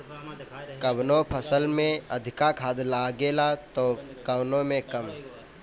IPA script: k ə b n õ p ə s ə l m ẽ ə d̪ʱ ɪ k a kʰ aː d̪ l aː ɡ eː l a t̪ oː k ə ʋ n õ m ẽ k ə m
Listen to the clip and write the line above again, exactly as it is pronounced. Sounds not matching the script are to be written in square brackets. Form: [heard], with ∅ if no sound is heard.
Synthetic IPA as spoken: k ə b n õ [pʰ] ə s ə l m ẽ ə d̪ʱ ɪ k a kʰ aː d̪ l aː ɡ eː l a t̪ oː k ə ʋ n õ m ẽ k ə m

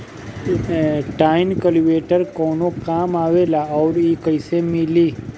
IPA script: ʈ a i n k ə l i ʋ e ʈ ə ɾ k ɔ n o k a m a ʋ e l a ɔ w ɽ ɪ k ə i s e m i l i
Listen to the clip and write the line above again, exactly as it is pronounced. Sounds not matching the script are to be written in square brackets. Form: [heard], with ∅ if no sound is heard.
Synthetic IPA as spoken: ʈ a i n k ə l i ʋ e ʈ ə ɾ k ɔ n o k a m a ʋ e l a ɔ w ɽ [i] k ə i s e m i l i

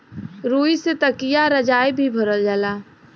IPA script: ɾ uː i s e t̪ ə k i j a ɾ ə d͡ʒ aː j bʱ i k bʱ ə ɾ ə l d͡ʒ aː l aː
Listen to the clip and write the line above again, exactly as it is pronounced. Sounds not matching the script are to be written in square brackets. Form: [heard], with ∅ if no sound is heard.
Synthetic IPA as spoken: ɾ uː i s e t̪ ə k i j a ɾ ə d͡ʒ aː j bʱ i [∅] bʱ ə ɾ ə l d͡ʒ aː l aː

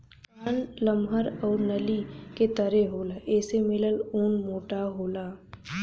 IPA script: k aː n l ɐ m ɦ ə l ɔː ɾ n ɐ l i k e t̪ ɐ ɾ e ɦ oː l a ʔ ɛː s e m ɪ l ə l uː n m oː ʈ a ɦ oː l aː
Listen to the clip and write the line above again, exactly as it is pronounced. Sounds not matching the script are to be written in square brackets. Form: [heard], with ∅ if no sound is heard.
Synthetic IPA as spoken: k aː n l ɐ m ɦ ə [ɾ] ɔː ɾ n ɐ l i k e t̪ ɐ ɾ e ɦ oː l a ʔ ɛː s e m ɪ l ə l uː n m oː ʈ a ɦ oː l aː

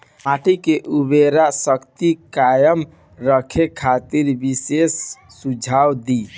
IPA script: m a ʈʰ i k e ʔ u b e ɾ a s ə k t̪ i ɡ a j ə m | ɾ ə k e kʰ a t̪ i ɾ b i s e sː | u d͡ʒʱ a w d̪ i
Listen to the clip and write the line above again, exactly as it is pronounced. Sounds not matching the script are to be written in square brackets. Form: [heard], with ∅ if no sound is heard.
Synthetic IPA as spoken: m a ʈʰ i k e ʔ u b e ɾ a s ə k t̪ i [k] a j ə m | ɾ ə [kʰ] e kʰ a t̪ i ɾ b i s e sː | u d͡ʒʱ a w d̪ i

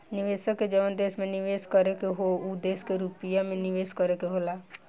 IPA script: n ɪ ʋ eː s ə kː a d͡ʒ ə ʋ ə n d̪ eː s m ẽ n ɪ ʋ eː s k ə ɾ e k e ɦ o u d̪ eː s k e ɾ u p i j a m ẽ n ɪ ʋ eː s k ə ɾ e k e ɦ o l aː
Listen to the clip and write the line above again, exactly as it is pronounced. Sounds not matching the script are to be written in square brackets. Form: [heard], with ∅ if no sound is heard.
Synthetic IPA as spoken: n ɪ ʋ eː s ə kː [e] d͡ʒ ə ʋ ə n d̪ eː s m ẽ n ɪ ʋ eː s k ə ɾ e k e ɦ o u d̪ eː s k e ɾ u p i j a m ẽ n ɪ ʋ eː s k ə ɾ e k e ɦ o l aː

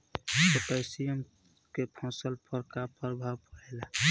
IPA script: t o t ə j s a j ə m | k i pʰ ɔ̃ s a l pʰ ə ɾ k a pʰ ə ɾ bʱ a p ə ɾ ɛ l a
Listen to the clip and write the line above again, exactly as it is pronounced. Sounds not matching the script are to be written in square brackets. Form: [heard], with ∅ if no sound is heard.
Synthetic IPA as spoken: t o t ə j s [i] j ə m | k [e] pʰ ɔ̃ s [ə] l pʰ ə ɾ k a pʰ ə ɾ bʱ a p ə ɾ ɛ l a

